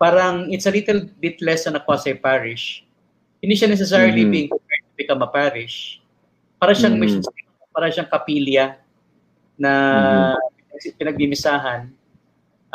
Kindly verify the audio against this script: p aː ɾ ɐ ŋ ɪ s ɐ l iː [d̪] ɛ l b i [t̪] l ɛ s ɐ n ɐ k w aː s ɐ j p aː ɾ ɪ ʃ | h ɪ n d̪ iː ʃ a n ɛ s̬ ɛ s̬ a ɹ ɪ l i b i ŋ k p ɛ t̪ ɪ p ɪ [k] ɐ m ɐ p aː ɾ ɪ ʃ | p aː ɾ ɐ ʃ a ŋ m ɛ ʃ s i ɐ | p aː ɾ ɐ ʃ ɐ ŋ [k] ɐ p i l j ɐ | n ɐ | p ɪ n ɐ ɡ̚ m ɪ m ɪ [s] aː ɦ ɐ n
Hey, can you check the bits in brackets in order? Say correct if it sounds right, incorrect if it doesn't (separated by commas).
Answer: incorrect, correct, correct, correct, correct